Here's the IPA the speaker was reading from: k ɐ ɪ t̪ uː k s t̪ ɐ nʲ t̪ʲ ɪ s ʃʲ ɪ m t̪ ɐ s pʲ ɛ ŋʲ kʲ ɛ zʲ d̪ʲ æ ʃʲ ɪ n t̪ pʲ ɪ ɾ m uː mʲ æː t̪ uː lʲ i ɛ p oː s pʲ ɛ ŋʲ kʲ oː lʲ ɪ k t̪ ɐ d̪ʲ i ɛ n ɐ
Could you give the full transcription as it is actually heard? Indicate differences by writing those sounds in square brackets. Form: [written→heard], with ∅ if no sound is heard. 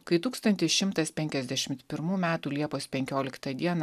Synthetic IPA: k ɐ ɪ t̪ uː k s t̪ ɐ nʲ t̪ʲ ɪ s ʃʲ ɪ m t̪ ɐ s pʲ ɛ ŋʲ kʲ ɛ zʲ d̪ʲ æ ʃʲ ɪ [n→m] t̪ pʲ ɪ ɾ m uː mʲ æː t̪ uː lʲ i ɛ p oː s pʲ ɛ ŋʲ kʲ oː lʲ ɪ k t̪ ɐ d̪ʲ i ɛ n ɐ